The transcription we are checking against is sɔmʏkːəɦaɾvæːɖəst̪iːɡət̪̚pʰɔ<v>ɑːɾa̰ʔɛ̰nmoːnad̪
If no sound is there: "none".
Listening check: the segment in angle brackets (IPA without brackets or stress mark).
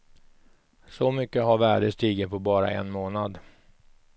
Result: b